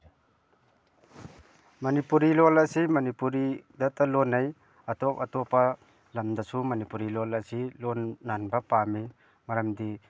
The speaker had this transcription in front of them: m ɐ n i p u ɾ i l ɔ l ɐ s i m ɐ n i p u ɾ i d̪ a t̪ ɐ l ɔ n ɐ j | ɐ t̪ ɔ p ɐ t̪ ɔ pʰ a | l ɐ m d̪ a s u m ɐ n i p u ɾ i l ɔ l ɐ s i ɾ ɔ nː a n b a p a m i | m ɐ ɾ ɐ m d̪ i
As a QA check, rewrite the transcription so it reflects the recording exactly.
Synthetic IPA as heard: m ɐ n i p u ɾ i l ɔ l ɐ s i m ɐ n i p u ɾ i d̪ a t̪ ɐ l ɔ n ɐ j | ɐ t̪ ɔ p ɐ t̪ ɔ p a | l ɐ m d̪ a s u m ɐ n i p u ɾ i l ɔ l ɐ s i l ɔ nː a n b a p a m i | m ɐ ɾ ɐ m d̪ i